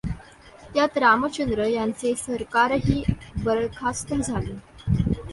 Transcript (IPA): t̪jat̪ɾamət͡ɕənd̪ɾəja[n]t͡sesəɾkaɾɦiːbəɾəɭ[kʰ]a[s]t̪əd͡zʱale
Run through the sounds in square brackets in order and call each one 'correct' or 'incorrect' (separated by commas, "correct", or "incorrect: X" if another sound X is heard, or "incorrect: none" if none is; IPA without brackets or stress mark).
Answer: correct, correct, correct